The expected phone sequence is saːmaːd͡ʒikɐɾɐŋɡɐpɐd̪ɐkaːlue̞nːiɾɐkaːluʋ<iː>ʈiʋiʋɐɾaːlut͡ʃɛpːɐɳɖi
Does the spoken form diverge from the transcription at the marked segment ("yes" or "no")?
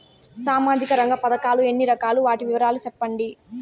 yes